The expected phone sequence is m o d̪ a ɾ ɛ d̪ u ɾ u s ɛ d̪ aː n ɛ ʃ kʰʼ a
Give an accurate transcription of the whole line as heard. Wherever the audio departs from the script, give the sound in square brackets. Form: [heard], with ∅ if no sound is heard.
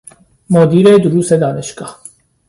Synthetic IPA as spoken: m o d̪ [i] ɾ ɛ d̪ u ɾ u s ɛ d̪ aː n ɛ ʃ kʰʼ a